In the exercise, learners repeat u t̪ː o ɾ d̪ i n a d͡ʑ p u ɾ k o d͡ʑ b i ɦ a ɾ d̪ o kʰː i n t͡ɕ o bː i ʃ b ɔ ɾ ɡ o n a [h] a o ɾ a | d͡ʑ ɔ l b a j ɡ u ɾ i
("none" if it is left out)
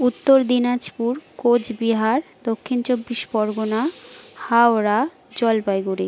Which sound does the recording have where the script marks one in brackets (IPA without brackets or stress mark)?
h